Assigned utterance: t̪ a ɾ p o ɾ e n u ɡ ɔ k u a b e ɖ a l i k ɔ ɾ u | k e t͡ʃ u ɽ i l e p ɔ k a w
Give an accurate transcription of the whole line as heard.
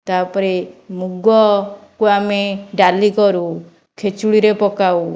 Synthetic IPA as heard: t̪ a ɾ p ɔ ɾ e m u ɡ ɔ k u a m e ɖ a l i k ɔ ɾ u | kʰ e t͡ʃ u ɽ i ɾ e p ɔ k a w

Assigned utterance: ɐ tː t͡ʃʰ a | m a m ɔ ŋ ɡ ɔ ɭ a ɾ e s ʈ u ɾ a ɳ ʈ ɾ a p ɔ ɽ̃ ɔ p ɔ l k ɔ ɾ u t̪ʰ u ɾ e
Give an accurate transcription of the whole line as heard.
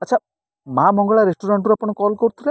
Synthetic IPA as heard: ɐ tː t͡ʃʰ a | m a m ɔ ŋ ɡ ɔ ɭ a ɾ e s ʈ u ɾ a ɳ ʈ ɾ a p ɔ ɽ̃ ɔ k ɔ l k ɔ ɾ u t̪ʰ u ɾ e

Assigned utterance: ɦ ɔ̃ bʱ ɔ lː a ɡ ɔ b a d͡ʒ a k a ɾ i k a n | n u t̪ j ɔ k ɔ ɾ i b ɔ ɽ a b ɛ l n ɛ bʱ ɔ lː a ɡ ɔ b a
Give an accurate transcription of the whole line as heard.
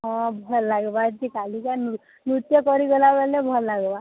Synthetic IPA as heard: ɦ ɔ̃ bʱ ɔ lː a ɡ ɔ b a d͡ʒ i k a l i k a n | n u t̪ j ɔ k ɔ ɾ i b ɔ l a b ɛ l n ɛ bʱ ɔ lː a ɡ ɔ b a

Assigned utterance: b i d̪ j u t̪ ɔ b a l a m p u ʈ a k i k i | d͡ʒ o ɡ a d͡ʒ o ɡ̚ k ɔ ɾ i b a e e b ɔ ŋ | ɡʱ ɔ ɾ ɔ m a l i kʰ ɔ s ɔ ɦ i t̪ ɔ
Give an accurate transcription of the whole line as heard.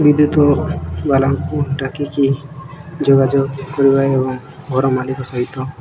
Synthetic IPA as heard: b i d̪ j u t̪ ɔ b a l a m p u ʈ a k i k i | d͡ʒ o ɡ a d͡ʒ o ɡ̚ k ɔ ɾ i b a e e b ɔ ŋ | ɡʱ ɔ ɾ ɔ m a l i k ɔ s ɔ ɦ i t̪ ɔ

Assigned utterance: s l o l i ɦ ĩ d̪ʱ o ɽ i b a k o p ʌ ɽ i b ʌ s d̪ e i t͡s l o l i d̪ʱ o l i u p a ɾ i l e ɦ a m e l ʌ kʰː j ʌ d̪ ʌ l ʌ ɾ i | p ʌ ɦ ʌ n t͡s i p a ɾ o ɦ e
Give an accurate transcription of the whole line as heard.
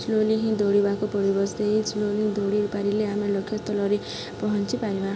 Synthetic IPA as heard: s l o l i ɦ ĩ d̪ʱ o ɽ i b a k o p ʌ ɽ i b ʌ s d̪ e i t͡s l o l i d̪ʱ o ɽ i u p a ɾ i l e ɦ a m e l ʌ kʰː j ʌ t̪ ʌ l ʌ ɾ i | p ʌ ɦ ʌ n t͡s i p a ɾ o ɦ a

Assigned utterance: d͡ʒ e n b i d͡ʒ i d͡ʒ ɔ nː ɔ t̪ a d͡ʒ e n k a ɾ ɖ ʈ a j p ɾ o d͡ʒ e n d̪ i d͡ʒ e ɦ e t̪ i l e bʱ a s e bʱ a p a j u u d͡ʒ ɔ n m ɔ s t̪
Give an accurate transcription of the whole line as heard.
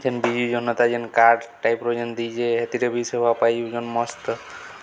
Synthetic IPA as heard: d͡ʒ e n b i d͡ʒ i d͡ʒ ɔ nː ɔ t̪ a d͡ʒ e n k a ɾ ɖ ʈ a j p ɾ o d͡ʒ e n d̪ i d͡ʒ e ɦ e t̪ i ɾ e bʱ i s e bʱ a p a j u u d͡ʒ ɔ n m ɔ s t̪

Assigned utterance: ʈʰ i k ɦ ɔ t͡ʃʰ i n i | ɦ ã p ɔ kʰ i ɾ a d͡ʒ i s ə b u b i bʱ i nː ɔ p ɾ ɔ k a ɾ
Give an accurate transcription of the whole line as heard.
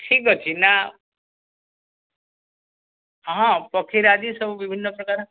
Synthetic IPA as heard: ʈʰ i k ɦ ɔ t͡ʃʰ i n a | ɦ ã p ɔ kʰ i ɾ a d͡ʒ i s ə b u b i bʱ i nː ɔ p ɾ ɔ k a ɾ

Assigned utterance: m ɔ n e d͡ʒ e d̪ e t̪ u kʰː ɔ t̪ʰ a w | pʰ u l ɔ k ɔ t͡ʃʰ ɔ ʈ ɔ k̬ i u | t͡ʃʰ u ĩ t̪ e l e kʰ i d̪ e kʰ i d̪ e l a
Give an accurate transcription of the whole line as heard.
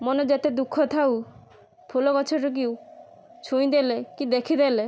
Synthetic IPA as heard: m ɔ n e d͡ʒ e t̪ e d̪ u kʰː ɔ t̪ʰ a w | pʰ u l ɔ k ɔ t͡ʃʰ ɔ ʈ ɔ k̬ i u | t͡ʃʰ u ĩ d̪ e l e k i d̪ e kʰ i d̪ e l e

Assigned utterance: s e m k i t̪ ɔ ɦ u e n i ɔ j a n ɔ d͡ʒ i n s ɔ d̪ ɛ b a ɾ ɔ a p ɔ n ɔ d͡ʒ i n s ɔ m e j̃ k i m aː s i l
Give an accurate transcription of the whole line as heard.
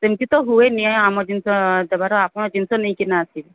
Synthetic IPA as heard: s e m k i t̪ ɔ ɦ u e n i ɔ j a m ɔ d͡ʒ i n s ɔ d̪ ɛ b a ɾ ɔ a p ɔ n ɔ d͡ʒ i n s ɔ n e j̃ k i n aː s i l

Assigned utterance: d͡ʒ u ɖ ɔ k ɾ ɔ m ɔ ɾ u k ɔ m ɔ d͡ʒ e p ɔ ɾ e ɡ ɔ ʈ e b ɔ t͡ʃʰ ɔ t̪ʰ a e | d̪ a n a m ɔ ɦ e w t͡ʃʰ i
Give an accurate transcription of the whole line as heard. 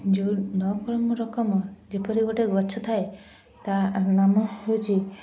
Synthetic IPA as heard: d͡ʒ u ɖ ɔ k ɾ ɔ m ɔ ɾ ɔ k ɔ m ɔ d͡ʒ e p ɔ ɾ i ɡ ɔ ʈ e ɡ ɔ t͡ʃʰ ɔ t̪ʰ a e | t̪ a n a m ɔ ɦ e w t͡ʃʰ i

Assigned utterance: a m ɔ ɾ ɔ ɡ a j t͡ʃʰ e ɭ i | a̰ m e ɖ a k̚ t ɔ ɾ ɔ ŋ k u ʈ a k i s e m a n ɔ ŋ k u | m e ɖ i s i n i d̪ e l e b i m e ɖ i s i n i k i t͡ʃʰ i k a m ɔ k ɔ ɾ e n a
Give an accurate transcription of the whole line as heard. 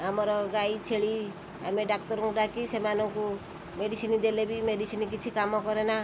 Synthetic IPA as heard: a m ɔ ɾ ɔ ɡ a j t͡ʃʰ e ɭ i | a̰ m e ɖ a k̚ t ɔ ɾ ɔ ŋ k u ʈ a k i s e m a n ɔ ŋ k u | m e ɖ i s i n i d̪ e l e b i m e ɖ i s i n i k i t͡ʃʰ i k a m ɔ k ɔ ɾ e n a

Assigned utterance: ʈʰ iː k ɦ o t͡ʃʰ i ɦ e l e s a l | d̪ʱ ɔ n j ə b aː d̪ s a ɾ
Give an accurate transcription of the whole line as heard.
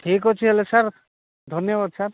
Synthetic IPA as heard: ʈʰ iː k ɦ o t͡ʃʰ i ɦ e l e s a ɾ | d̪ʱ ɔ n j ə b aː d̪ s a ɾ

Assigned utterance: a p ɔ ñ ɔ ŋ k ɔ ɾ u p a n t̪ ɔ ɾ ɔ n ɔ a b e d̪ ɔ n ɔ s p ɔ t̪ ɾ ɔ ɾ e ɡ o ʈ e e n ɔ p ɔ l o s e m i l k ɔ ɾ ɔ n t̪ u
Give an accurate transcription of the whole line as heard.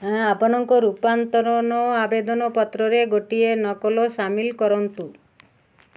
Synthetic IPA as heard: a p ɔ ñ ɔ ŋ k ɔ ɾ u p a n t̪ ɔ ɾ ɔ n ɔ a b e d̪ ɔ n ɔ p ɔ t̪ ɾ ɔ ɾ e ɡ o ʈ i e n ɔ k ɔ l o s a m i l k ɔ ɾ ɔ n t̪ u

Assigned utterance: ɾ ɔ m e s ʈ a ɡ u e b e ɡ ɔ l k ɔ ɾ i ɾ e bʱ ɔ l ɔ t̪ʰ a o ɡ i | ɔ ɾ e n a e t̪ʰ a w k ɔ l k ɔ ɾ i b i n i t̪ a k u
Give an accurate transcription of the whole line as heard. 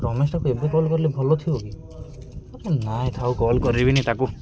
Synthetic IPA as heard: ɾ ɔ m e s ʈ a k u e b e k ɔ l k ɔ ɾ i l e bʱ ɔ l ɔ t̪ʰ i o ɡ i | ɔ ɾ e n a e t̪ʰ a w k ɔ l k ɔ ɾ i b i n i t̪ a k u

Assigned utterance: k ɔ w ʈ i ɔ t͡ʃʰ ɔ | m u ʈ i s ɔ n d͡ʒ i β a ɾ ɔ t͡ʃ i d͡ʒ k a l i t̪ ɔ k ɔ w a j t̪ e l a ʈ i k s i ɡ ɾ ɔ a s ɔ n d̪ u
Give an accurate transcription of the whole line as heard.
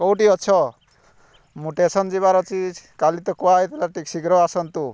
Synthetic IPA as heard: k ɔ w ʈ i ɔ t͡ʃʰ ɔ | m u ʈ e s ɔ n d͡ʒ i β a ɾ ɔ t͡ʃ i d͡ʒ k a l i t̪ ɔ k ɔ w a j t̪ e l a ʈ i k s i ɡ ɾ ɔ a s ɔ n t̪ u

